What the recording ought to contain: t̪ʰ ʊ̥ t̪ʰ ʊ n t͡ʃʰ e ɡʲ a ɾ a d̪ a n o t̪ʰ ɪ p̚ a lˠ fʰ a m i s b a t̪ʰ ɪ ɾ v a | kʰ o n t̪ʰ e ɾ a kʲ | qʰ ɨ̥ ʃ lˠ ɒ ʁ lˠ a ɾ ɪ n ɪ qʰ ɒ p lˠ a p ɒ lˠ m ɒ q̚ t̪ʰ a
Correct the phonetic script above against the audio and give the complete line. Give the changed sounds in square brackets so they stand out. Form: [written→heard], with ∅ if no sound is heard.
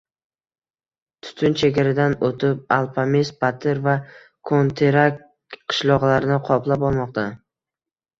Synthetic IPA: t̪ʰ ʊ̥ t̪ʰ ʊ n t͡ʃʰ e ɡʲ a ɾ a d̪ a n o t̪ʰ ɪ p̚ a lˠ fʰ a m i s b a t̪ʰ ɪ ɾ v a | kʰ o n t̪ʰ e ɾ a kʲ | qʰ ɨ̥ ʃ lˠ ɒ ʁ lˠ a ɾ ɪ n ɪ qʰ ɒ p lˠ a p ɒ lˠ m ɒ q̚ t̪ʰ a